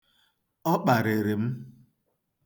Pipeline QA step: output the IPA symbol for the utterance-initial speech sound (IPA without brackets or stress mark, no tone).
ɔ